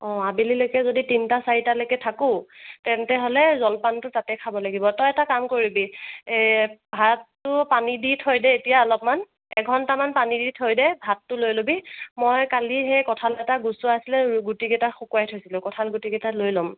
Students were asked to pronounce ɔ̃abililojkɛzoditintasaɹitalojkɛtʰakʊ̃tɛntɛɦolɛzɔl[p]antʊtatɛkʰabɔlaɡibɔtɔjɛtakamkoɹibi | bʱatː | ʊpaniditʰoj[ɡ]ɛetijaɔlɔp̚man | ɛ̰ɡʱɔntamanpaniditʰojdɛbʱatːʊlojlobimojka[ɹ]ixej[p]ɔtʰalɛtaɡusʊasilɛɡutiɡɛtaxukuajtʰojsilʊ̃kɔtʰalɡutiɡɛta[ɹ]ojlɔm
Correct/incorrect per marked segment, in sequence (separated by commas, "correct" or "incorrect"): correct, incorrect, incorrect, incorrect, incorrect